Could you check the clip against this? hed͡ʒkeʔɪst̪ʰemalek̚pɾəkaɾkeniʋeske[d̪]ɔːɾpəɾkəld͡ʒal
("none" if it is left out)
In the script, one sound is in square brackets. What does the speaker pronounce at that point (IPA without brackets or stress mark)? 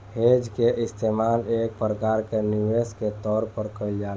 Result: t̪